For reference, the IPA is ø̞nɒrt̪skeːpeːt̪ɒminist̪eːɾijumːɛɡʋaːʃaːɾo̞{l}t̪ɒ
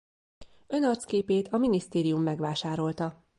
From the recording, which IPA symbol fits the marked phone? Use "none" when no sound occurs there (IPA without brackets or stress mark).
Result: l